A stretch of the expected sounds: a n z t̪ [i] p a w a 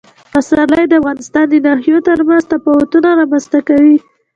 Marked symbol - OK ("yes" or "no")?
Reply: no